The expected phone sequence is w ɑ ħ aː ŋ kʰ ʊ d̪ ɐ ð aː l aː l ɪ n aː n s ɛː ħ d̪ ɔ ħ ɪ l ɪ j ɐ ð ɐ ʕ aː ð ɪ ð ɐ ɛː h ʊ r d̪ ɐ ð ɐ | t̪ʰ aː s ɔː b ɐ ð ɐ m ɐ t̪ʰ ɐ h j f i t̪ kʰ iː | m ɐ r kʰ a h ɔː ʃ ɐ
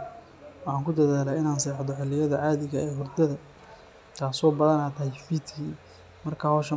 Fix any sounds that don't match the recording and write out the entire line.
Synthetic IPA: w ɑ ħ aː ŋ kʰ ʊ d̪ ɐ ð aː l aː ɪ n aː n s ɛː ħ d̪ ɔ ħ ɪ l ɪ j ɐ ð ɐ ʕ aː ð ɪ ɣ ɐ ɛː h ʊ r d̪ ɐ ð ɐ | t̪ʰ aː s ɔː b ɐ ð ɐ n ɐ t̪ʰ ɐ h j f i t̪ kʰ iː | m ɐ r kʰ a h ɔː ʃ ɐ